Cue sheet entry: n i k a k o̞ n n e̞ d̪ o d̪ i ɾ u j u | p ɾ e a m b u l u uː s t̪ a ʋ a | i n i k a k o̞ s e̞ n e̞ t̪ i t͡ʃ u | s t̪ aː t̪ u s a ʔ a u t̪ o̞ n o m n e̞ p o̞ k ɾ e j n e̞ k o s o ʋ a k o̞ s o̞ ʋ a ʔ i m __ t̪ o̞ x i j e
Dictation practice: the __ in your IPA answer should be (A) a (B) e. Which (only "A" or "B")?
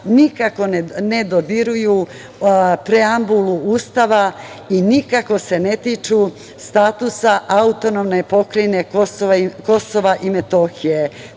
B